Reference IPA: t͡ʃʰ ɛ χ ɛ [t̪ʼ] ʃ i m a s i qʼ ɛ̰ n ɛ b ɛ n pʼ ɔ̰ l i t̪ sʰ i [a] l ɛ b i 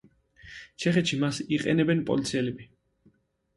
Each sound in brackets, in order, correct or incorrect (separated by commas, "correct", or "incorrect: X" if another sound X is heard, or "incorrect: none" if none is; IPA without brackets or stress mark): incorrect: t̪, incorrect: ɛ